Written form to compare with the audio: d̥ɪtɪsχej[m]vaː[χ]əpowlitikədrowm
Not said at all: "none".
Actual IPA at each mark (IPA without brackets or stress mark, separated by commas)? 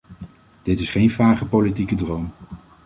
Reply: n, χ